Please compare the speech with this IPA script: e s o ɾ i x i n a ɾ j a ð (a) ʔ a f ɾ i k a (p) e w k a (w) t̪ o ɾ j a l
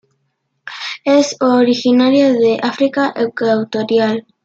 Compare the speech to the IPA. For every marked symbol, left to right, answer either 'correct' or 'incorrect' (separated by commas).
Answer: incorrect, incorrect, correct